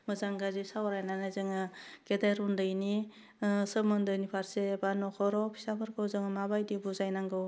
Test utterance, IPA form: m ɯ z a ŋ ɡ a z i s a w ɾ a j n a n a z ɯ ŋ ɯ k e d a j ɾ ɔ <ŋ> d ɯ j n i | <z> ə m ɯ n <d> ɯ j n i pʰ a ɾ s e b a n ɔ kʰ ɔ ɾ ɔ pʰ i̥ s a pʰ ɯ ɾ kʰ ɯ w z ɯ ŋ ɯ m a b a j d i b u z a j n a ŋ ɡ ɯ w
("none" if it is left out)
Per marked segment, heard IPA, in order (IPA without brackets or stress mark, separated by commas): n, s, d